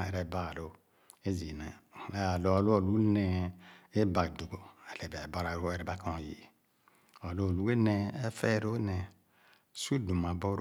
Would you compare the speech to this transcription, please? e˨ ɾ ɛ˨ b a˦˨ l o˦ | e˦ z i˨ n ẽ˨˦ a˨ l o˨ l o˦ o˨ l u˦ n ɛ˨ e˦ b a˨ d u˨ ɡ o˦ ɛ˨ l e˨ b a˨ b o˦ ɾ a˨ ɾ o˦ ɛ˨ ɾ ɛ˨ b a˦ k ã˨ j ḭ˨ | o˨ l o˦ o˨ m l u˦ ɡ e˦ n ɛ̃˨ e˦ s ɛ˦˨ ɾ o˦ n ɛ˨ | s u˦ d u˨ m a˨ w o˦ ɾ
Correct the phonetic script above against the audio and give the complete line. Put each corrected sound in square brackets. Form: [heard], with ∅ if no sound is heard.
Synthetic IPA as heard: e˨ ɾ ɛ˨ b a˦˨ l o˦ | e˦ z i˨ n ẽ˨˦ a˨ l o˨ l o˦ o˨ l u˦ n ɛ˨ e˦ b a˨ d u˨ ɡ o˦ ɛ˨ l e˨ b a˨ b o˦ ɾ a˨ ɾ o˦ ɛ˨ ɾ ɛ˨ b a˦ k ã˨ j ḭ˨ | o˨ l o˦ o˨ [∅] l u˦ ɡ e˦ n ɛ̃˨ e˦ [f] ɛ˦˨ ɾ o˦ n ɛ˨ | s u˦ d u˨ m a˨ [b] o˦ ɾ